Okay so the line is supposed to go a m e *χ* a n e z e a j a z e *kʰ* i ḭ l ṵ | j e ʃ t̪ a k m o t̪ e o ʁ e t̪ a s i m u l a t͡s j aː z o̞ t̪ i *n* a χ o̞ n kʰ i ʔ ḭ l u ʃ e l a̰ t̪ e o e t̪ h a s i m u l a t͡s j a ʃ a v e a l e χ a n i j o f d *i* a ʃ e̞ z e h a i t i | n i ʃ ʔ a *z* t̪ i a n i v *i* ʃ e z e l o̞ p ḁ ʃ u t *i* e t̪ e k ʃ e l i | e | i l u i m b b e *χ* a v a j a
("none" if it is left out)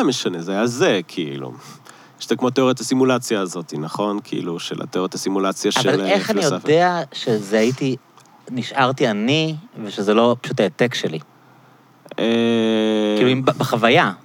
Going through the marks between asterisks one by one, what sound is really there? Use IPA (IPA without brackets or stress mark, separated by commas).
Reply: ʃ, kʰ, n, e, ʁ, e, a, χ